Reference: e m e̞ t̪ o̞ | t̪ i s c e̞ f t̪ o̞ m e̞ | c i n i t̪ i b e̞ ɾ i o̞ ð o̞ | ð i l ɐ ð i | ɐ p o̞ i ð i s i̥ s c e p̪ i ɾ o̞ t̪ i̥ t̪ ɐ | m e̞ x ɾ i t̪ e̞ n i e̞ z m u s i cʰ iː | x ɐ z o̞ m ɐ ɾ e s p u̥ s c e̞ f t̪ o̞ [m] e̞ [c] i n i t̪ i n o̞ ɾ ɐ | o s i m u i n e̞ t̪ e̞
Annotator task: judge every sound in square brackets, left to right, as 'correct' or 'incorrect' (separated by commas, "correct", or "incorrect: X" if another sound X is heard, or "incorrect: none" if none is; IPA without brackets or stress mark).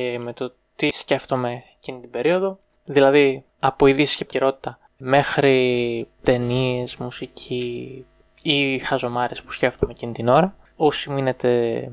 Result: correct, correct